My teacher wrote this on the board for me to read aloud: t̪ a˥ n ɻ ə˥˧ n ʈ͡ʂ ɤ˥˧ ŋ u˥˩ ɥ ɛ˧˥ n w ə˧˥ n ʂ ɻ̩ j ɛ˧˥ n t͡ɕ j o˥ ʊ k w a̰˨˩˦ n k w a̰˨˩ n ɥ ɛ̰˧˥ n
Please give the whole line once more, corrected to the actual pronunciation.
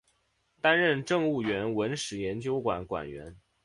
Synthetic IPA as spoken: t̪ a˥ n ɻ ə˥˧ n ʈ͡ʂ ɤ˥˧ ŋ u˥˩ ɥ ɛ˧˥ n w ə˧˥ n ʂ ɻ̩ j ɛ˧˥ n t͡ɕ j o˥ ʊ k w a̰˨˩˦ n k w a̰˨˩ n ɥ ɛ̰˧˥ n